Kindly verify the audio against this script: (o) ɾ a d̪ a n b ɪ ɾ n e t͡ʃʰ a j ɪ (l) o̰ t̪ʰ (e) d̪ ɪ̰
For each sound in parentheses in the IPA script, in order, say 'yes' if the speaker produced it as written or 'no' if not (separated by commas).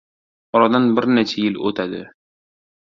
no, yes, no